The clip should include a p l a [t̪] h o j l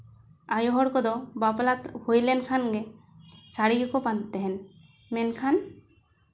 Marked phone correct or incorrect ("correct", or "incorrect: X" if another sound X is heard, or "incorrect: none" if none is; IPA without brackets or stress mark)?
correct